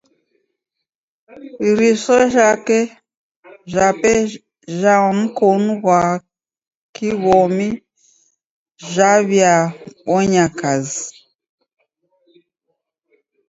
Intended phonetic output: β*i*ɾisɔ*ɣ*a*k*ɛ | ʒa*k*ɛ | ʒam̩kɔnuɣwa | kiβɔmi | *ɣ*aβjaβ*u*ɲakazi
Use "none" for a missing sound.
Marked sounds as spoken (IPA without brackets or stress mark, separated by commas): i, ʒ, k, p, ʒ, ɔ